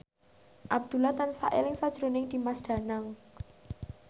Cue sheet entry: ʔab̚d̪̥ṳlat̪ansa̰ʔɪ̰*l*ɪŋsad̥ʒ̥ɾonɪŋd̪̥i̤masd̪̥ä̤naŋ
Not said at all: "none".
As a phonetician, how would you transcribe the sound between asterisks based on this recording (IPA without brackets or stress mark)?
l